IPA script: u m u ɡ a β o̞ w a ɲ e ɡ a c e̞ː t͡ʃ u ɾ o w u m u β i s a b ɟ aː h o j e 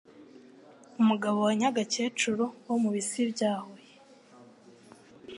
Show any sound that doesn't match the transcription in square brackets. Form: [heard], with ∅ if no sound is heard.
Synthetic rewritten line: u m u ɡ a β o̞ w a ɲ [a] ɡ a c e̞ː t͡ʃ u ɾ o w [o] m u β i s [i] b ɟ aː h o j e